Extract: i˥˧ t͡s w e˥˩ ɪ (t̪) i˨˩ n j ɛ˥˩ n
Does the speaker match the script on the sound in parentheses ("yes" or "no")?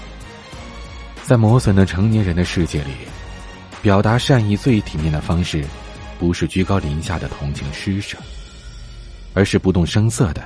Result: no